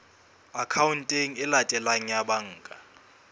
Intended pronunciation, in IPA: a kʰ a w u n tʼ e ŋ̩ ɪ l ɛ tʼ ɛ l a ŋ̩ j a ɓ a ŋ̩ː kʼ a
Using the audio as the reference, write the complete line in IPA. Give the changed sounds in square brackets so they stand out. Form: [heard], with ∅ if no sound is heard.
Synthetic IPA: a kʰ a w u n tʼ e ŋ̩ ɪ l [a] tʼ ɛ l a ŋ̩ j a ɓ a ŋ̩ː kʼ a